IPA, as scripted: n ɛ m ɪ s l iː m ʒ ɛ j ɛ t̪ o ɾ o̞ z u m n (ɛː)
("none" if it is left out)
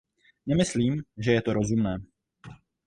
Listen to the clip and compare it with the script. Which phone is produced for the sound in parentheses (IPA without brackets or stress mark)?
ɛː